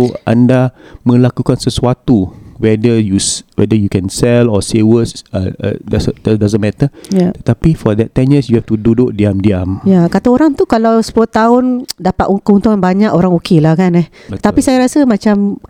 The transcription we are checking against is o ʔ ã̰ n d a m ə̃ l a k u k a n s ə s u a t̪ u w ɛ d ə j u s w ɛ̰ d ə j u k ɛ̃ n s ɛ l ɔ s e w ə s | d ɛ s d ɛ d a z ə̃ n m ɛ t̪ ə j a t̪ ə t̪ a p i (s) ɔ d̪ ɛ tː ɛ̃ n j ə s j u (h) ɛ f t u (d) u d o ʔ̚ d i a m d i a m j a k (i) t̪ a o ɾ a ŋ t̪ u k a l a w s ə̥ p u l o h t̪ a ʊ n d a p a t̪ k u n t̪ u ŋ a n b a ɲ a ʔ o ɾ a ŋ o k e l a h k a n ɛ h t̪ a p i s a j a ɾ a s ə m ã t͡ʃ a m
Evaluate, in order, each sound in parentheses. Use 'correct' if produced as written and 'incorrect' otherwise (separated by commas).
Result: incorrect, correct, correct, incorrect